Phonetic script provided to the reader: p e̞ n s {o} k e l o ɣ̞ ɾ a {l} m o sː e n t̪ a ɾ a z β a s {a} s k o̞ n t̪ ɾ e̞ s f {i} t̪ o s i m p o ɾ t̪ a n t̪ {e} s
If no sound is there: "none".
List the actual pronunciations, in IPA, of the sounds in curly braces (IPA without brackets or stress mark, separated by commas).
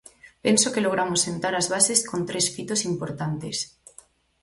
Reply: o, none, e, i, e